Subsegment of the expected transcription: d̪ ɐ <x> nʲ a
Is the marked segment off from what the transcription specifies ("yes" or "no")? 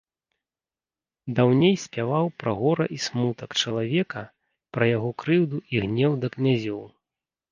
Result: yes